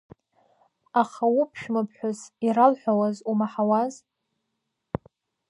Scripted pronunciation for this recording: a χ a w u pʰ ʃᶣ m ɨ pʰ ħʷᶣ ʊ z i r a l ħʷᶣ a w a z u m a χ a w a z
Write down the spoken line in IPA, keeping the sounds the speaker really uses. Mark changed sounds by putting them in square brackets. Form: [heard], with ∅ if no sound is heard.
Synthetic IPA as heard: a χ a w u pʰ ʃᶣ m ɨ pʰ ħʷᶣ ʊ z i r a l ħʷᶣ a w a z u m a [ħ] a w a z